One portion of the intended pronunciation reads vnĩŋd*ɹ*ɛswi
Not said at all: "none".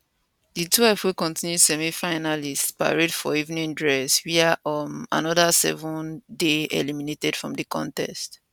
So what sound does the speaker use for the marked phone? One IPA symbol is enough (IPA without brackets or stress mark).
ɹ